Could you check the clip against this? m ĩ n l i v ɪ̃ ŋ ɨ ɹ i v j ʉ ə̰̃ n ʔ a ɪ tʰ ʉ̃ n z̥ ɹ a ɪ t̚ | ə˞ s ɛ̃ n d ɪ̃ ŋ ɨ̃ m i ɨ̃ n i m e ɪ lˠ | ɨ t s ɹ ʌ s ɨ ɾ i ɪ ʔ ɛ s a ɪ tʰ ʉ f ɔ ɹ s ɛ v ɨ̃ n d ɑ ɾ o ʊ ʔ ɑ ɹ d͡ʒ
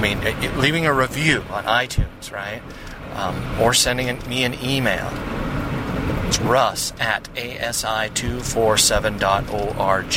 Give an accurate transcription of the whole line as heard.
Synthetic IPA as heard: m ĩ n l i v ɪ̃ ŋ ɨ ɹ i v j ʉ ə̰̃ n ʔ a ɪ tʰ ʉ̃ n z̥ ɹ a ɪ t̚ | ə˞ s ɛ̃ n d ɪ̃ ŋ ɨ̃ m i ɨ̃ n i m e ɪ lˠ | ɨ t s ɹ ʌ s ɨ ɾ e ɪ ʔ ɛ s a ɪ tʰ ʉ f ɔ ɹ s ɛ v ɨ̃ n d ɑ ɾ o ʊ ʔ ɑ ɹ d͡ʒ